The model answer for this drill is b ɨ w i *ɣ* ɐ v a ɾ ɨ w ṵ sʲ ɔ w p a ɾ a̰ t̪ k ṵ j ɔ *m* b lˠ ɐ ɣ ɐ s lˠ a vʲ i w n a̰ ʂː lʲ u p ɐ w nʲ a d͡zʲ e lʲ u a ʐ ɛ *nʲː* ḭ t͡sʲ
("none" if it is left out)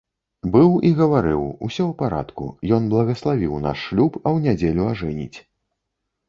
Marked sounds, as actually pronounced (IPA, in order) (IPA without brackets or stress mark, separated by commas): ɣ, n, nʲ